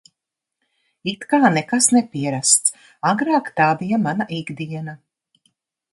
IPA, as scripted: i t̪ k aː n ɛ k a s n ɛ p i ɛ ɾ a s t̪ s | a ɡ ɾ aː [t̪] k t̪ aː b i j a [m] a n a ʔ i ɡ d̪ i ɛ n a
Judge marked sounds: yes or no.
no, yes

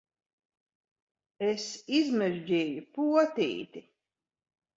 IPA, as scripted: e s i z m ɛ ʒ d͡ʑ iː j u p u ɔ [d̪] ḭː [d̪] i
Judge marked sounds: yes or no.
no, no

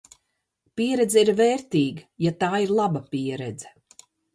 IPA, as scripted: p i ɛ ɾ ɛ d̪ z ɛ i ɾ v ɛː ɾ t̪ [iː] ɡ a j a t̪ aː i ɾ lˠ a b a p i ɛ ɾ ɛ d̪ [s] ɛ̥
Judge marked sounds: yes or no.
yes, no

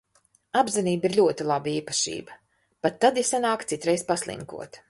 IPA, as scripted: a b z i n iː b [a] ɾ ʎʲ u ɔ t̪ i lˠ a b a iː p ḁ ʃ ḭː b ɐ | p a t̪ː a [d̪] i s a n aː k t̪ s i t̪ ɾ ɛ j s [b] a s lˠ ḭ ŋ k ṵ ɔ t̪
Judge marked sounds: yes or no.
no, yes, no

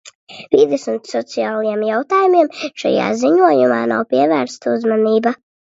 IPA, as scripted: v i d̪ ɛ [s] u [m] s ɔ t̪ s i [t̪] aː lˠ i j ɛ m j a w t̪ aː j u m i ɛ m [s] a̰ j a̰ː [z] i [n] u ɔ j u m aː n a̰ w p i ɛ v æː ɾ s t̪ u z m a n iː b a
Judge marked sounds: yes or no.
yes, no, no, no, yes, no

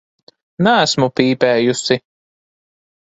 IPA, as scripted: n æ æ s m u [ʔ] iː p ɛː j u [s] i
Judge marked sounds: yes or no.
no, yes

